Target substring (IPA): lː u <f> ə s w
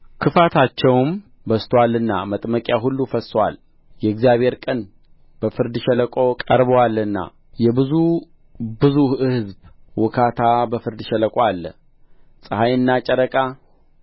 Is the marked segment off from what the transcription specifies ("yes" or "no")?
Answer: no